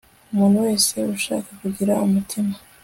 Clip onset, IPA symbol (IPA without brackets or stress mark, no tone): u